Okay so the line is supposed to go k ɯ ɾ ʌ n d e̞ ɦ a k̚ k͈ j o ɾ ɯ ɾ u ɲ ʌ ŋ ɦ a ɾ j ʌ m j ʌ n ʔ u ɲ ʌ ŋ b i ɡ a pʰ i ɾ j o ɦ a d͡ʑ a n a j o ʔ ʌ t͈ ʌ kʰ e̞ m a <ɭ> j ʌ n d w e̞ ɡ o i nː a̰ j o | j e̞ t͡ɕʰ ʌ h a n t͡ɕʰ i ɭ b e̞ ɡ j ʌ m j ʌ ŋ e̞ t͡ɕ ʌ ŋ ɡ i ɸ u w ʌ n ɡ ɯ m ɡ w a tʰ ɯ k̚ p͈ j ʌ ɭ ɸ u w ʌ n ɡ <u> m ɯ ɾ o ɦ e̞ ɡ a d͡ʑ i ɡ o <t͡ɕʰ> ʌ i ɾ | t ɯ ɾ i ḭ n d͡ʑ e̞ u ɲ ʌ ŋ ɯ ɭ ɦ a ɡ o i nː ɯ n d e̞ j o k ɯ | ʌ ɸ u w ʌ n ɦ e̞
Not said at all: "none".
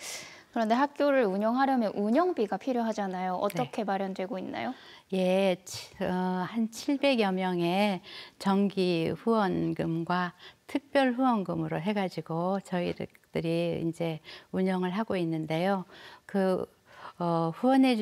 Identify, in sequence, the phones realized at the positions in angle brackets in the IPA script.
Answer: ɾ, ɯ, t͡ɕ

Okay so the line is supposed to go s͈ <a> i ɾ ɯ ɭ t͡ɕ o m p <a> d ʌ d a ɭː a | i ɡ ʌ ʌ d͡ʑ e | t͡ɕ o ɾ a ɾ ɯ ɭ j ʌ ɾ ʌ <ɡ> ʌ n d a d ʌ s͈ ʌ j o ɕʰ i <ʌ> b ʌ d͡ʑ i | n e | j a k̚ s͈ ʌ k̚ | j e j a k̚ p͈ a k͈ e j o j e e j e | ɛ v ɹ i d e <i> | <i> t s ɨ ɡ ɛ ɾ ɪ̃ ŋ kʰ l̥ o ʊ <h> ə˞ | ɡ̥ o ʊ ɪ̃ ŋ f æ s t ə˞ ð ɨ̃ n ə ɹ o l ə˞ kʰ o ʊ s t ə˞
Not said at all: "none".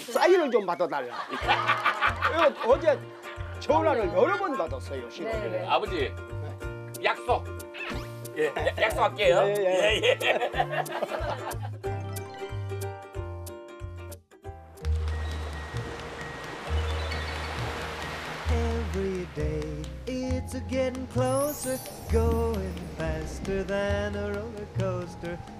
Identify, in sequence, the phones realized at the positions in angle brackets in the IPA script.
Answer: a, a, b, a, ɪ, ɪ, s

